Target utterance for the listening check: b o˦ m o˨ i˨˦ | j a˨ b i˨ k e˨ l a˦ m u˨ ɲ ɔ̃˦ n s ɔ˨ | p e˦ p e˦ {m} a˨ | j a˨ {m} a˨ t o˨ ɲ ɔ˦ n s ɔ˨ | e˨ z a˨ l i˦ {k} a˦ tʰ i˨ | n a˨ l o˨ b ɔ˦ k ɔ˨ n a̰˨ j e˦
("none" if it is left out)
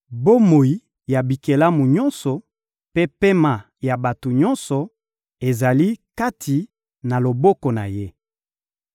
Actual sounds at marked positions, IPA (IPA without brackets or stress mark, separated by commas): m, b, k